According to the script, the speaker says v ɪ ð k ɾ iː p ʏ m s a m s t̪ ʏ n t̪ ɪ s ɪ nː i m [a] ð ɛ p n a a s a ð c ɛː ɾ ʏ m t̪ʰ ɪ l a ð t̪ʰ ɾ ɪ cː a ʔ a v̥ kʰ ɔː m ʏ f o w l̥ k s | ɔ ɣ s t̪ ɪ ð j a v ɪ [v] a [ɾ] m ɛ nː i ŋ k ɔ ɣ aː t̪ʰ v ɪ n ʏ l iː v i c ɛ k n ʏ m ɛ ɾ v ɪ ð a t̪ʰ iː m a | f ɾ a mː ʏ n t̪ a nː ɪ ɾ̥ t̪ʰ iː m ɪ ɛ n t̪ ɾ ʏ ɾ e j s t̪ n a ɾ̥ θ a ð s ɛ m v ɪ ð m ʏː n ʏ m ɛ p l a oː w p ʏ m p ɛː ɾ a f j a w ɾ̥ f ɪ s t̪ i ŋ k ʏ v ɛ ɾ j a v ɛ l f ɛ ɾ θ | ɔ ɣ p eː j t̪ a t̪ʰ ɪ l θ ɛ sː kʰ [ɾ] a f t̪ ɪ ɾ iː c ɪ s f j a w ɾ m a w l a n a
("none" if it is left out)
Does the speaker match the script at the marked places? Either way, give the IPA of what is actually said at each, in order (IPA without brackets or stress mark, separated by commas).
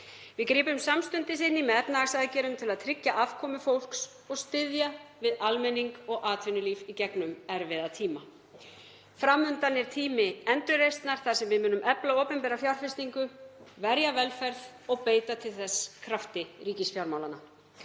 ɛ, ð, l, ɾ